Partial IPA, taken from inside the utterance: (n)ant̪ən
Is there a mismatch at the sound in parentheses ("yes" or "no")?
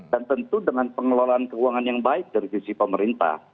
yes